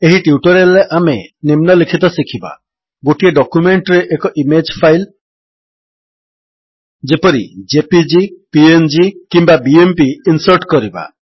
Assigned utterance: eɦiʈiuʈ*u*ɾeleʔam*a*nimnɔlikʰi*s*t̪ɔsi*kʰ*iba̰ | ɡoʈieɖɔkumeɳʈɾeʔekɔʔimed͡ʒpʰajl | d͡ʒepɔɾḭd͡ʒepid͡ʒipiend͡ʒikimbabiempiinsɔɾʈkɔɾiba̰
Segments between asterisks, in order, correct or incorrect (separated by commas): incorrect, incorrect, incorrect, correct